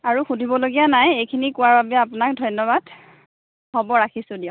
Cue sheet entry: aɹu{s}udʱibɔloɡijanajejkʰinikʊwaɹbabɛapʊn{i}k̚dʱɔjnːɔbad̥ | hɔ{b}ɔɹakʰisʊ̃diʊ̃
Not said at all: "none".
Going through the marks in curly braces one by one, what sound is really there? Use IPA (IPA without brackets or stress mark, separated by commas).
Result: x, a, b